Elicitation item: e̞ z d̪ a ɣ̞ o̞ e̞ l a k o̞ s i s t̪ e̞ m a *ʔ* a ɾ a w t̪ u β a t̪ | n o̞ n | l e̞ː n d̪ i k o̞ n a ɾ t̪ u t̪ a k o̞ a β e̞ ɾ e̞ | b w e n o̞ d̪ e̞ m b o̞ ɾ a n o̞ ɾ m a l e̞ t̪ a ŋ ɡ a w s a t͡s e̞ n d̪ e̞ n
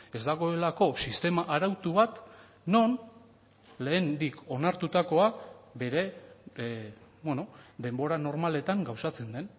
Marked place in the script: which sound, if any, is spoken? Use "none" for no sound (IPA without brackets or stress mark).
ʔ